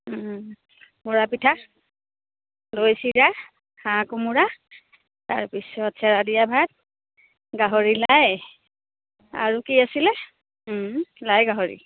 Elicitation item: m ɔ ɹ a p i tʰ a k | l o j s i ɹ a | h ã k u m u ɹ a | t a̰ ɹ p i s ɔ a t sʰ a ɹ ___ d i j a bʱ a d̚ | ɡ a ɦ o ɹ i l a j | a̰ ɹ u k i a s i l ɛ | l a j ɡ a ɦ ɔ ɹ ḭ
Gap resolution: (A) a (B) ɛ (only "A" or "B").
A